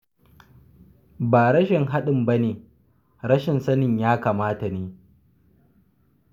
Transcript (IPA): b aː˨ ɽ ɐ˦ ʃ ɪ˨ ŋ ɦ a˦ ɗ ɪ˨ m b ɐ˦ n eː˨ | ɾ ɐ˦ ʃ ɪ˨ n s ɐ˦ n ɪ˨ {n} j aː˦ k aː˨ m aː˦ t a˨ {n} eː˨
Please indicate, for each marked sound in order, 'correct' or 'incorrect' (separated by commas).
incorrect, correct